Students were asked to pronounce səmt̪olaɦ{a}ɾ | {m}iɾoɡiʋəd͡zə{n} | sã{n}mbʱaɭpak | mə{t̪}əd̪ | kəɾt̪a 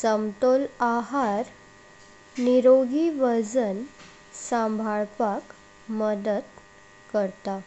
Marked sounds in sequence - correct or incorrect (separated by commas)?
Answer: correct, incorrect, correct, incorrect, incorrect